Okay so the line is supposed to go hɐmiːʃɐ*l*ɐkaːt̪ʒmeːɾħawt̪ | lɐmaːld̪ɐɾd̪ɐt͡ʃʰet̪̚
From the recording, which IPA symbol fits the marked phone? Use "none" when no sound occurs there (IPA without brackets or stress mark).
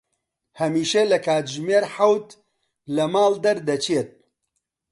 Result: l